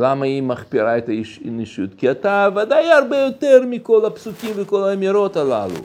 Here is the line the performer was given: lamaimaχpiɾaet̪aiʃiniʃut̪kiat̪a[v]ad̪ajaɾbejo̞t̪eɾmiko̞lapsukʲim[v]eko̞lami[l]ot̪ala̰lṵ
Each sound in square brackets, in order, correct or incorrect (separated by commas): correct, correct, incorrect